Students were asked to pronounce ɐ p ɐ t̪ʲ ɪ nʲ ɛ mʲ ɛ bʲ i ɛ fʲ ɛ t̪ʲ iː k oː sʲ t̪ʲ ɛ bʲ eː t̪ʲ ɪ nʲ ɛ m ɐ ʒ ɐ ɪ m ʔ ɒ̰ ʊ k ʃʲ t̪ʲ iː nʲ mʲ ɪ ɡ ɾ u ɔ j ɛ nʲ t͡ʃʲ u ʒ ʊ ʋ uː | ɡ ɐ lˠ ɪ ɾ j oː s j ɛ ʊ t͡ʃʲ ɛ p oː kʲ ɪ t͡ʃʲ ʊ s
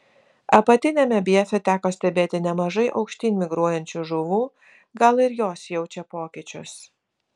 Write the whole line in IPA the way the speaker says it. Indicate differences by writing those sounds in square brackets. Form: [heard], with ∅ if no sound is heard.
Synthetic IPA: ɐ p ɐ t̪ʲ ɪ nʲ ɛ mʲ ɛ bʲ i ɛ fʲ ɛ t̪ʲ [æː] k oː sʲ t̪ʲ ɛ bʲ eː t̪ʲ ɪ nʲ ɛ m ɐ ʒ ɐ ɪ [∅] ʔ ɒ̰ ʊ k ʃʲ t̪ʲ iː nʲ mʲ ɪ ɡ ɾ u ɔ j ɛ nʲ t͡ʃʲ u ʒ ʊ ʋ uː | ɡ ɐ lˠ ɪ ɾ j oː s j ɛ ʊ t͡ʃʲ ɛ p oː kʲ ɪ t͡ʃʲ ʊ s